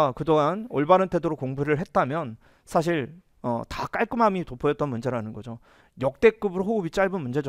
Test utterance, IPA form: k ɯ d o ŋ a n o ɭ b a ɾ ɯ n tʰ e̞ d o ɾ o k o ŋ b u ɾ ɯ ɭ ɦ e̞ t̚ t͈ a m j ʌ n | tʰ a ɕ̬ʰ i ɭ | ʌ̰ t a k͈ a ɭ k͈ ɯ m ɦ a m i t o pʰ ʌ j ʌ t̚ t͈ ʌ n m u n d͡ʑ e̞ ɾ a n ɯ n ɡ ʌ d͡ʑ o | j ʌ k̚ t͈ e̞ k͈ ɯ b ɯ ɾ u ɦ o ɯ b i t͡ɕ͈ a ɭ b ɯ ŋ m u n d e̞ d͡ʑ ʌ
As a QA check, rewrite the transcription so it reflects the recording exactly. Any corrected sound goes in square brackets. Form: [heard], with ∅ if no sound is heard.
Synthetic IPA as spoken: k ɯ d o ŋ a n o ɭ b a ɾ ɯ n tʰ e̞ d o ɾ o k o ŋ b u ɾ ɯ ɭ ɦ e̞ t̚ t͈ a m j ʌ n | [sʰ] a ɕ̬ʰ i ɭ | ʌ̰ t a k͈ a ɭ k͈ ɯ m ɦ a m i t o pʰ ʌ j ʌ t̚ t͈ ʌ n m u n d͡ʑ e̞ ɾ a n ɯ n ɡ ʌ d͡ʑ o | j ʌ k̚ t͈ e̞ k͈ ɯ b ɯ ɾ [o] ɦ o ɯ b i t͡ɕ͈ a ɭ b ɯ [n] m u n [d͡ʑ] e̞ d͡ʑ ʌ